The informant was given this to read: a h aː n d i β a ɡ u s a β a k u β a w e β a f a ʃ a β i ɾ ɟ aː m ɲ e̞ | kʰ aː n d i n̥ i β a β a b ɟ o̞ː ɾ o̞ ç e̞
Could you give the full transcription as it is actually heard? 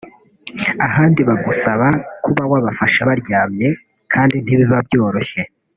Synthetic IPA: a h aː n d i β a ɡ u s a β a k u β a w a β a f a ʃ a β a ɾ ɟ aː m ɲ e̞ | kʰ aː n d i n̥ i β i β a b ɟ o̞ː ɾ o̞ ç e̞

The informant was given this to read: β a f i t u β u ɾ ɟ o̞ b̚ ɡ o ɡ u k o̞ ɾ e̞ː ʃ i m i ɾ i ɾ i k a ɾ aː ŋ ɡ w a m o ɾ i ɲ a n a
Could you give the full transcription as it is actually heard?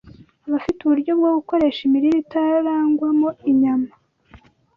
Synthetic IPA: β a f i t u β u ɾ ɟ o̞ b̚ ɡ o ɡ u k o̞ ɾ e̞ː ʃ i m i ɾ i ɾ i t a ɾ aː ŋ ɡ w a m o i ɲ a m a

